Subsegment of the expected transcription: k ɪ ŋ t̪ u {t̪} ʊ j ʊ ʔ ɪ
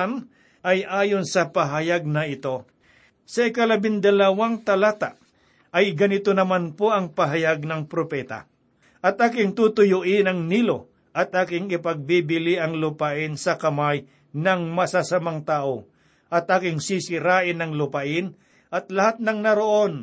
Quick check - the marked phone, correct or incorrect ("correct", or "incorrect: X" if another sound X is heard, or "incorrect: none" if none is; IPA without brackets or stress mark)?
correct